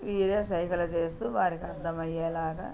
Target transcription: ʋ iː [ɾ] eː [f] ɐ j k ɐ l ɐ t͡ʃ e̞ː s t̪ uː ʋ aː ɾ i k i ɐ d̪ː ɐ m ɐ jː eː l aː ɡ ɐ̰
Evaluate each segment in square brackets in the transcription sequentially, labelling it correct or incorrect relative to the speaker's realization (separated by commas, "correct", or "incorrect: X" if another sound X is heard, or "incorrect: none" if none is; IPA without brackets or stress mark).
correct, incorrect: s